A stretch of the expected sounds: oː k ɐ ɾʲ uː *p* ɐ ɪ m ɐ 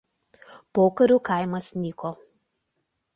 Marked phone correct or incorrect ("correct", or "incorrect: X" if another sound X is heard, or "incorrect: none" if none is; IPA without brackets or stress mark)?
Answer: incorrect: k